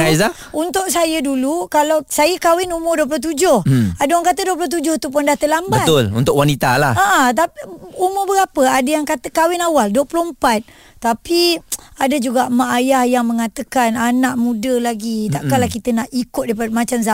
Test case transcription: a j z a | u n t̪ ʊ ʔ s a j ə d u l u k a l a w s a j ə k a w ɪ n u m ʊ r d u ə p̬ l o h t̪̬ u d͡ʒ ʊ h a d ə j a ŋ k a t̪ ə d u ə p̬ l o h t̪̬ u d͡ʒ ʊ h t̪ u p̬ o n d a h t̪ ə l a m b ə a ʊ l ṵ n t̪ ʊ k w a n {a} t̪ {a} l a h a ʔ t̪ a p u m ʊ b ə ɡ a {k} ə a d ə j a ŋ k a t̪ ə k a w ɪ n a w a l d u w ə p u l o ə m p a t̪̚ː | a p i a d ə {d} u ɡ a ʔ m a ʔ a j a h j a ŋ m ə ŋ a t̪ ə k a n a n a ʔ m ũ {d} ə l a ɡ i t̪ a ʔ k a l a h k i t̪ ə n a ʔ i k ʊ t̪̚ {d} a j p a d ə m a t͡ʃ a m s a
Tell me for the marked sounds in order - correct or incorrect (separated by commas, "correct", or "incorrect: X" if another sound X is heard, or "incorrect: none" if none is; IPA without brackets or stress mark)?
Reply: incorrect: i, correct, incorrect: p, incorrect: d͡ʒ, correct, correct